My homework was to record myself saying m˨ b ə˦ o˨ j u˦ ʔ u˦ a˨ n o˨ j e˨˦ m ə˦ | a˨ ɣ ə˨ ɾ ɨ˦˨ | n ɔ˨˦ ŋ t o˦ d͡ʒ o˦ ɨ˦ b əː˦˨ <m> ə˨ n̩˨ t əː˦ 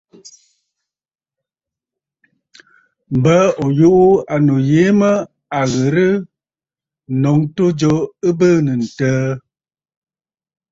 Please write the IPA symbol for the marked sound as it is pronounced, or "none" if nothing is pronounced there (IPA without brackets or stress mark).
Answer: n